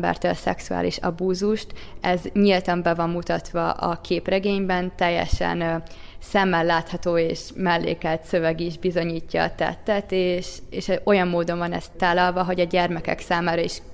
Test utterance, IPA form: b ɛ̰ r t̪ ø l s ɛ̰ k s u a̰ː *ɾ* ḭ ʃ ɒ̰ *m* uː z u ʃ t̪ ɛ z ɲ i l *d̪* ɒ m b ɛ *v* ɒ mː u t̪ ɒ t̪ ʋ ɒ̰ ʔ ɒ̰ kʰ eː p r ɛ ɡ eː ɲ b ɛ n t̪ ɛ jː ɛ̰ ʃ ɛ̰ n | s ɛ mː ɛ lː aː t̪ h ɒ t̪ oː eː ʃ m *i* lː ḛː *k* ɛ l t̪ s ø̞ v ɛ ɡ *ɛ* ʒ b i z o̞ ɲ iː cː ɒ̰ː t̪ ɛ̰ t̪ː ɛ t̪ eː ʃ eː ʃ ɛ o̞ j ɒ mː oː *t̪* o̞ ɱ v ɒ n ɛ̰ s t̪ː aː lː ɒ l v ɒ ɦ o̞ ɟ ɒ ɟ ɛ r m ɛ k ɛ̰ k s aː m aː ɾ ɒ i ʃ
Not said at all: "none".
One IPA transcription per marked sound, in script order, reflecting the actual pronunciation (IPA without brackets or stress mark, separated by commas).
l, b, t̪, v, ɛ, k, i, d̪